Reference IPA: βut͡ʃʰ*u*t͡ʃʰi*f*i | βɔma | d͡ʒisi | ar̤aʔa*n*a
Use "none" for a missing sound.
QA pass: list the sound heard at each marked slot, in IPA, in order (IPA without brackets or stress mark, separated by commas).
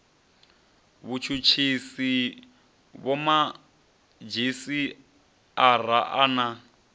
u, s, n